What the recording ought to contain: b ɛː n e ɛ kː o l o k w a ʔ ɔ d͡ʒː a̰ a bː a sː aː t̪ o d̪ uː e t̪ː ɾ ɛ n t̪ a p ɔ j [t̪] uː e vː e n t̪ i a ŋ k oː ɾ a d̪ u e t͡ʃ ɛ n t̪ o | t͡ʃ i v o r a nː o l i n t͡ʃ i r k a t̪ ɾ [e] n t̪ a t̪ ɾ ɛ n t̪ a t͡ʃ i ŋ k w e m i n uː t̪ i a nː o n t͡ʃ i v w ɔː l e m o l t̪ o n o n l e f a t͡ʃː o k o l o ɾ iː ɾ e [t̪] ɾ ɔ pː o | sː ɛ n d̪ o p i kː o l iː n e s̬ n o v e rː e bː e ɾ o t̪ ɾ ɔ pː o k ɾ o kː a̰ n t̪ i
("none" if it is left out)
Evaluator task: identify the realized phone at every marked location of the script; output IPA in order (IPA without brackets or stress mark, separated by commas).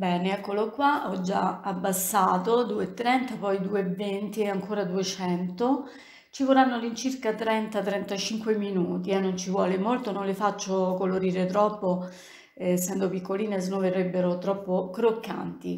d̪, ɛ, t̪